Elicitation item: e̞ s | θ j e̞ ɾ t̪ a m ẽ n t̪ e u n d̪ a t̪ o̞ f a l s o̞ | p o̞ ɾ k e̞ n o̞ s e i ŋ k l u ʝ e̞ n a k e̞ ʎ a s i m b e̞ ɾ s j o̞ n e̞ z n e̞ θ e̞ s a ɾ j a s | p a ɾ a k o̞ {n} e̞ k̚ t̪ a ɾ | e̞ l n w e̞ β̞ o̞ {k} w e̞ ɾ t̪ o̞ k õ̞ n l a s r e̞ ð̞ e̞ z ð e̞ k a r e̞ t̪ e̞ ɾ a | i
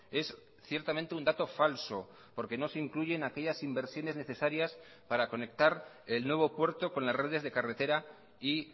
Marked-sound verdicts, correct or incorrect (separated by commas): correct, incorrect